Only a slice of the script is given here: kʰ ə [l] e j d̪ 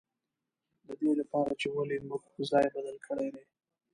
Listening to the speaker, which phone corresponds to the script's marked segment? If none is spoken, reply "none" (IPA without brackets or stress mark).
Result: ɽ